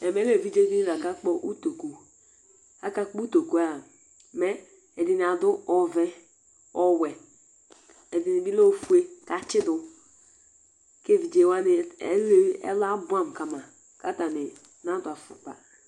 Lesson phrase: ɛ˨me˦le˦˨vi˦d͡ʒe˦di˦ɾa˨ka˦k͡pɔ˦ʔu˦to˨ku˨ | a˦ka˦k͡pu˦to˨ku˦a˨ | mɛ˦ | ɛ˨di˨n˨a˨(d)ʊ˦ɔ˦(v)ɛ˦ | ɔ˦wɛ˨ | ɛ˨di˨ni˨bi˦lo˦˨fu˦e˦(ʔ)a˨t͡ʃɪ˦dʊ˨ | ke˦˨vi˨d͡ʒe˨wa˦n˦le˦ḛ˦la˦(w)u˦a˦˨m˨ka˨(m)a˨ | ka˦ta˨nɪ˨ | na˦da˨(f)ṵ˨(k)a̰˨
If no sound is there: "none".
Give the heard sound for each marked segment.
d, v, k, b, m, f, k͡p

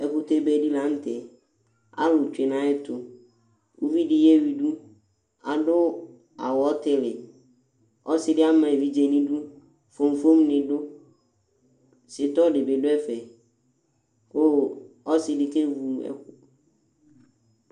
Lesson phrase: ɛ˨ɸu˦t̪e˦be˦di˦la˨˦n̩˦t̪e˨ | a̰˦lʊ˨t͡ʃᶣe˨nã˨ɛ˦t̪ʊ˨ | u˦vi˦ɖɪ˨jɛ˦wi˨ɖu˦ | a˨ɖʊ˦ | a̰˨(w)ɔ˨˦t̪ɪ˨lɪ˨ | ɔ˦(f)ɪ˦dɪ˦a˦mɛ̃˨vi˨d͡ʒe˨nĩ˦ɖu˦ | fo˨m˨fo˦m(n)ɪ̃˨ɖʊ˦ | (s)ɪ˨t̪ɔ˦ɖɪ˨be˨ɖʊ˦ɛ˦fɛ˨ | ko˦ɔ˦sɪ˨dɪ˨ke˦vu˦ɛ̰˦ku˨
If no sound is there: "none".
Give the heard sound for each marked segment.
w, s, n, s

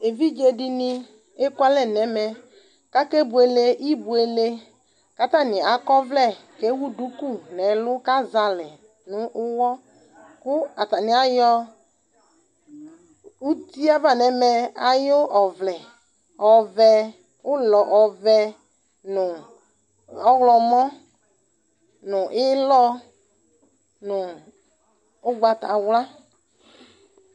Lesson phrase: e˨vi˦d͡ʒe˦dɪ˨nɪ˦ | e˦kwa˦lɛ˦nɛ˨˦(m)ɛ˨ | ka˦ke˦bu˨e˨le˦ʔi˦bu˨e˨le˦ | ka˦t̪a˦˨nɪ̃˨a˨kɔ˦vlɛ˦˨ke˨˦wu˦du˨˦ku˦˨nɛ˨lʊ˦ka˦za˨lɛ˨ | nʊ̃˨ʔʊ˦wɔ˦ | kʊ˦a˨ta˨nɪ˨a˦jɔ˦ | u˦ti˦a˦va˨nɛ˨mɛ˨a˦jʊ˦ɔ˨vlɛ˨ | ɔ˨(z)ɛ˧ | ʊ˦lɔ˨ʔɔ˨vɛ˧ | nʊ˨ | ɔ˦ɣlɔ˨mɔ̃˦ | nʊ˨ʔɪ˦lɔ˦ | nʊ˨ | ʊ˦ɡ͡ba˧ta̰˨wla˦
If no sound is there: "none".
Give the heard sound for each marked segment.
m, v

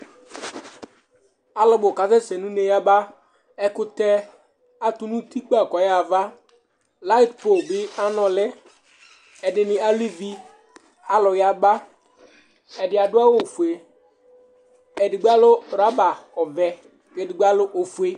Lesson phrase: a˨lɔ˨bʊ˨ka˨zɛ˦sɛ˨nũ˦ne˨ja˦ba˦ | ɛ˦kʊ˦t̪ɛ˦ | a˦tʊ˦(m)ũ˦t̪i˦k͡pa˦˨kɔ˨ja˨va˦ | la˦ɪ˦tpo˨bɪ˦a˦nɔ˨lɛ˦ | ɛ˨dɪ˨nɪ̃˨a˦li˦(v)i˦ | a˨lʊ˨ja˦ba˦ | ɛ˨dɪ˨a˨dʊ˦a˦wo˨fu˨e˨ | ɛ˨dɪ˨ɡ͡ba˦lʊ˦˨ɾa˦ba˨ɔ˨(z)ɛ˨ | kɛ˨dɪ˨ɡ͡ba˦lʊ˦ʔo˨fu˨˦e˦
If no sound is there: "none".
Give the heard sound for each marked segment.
n, v, v

